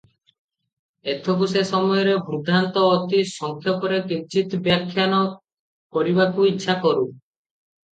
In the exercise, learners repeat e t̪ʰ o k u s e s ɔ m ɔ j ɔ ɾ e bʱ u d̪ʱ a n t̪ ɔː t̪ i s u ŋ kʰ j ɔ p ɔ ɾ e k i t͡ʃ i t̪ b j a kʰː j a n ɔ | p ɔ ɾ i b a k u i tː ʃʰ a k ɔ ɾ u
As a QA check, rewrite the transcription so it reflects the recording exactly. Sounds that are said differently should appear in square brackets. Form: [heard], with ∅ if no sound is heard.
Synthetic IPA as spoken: e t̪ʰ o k u s e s ɔ m ɔ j ɔ ɾ e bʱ u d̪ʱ a n t̪ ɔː t̪ i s [ɔ] ŋ kʰ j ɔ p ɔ ɾ e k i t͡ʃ i t̪ b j a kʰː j a n ɔ | [k] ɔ ɾ i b a k u i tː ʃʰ a k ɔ ɾ u